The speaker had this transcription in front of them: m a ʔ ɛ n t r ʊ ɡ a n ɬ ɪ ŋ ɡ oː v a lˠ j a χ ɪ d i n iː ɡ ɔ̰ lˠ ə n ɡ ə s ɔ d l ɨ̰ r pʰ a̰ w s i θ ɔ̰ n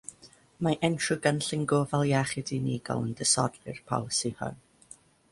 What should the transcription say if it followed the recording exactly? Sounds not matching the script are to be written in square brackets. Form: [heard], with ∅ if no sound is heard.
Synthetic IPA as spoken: m a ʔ ɛ n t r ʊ ɡ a n ɬ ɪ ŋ ɡ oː v a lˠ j a χ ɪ d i n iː ɡ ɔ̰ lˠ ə n [d] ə s ɔ d l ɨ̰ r pʰ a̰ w s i [h] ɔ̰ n